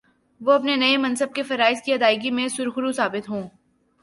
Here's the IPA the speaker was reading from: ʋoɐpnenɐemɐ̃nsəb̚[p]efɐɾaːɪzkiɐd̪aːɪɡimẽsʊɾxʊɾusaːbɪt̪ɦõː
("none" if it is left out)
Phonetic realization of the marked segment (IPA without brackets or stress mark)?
k